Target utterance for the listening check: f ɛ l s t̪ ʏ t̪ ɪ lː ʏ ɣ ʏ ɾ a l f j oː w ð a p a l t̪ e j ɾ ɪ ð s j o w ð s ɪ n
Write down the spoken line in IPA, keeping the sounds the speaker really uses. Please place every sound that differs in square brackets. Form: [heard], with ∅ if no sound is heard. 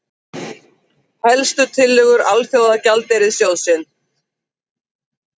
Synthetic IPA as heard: [h] ɛ l s t̪ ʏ [t̪ʰ] ɪ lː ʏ ɣ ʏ ɾ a l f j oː w ð a [c] a l t̪ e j ɾ ɪ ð s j o w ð s ɪ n